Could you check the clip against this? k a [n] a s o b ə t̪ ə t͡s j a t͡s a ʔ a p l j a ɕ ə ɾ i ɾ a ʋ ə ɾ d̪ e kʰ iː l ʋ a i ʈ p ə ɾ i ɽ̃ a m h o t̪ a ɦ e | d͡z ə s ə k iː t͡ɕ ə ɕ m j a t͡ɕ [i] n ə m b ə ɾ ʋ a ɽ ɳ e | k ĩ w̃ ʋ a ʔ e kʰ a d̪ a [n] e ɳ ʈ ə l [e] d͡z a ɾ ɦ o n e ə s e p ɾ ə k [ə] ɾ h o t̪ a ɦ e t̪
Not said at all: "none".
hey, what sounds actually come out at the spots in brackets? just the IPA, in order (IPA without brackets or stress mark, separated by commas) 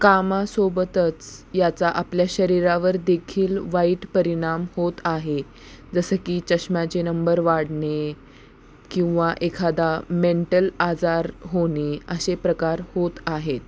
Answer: m, e, m, a, a